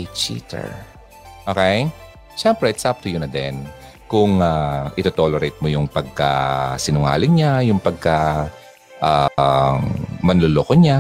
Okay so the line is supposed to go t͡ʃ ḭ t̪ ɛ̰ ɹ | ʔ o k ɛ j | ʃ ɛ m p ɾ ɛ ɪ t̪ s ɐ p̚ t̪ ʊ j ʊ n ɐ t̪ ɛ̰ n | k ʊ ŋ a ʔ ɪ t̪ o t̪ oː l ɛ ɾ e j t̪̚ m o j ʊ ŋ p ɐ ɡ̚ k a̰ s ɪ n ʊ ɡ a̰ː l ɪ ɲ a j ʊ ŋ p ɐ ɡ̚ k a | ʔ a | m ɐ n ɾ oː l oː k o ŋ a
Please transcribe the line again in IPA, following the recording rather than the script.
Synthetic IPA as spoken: t͡ʃ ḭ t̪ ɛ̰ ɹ | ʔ o k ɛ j | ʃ ɛ m p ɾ ɛ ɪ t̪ s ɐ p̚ t̪ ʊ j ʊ n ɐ d̪ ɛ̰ n | k ʊ ŋ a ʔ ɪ t̪ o t̪ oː l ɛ ɾ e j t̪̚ m o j ʊ ŋ p ɐ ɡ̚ k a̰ s ɪ n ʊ ŋ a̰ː l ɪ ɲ a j ʊ ŋ p ɐ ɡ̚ k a | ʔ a | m ɐ n l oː l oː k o ɲ a